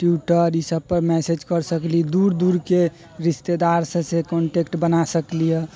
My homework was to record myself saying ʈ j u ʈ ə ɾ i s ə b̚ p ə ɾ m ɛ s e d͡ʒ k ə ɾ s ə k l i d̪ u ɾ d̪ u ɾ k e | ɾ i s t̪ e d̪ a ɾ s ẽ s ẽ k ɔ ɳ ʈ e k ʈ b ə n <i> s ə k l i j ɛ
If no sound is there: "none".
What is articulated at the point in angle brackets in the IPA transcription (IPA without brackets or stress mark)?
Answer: a